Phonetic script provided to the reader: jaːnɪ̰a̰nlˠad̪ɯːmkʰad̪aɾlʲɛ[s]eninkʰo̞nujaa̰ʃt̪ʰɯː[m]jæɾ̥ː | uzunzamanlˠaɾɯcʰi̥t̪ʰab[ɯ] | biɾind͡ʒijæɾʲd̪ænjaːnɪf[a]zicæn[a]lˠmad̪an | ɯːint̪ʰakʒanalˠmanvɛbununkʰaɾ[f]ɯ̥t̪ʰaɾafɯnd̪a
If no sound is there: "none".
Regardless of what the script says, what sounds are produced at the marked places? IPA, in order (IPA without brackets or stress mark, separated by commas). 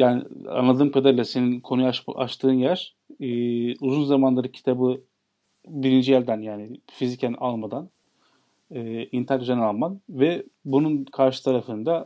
s, n, ɯ, i, a, ʃ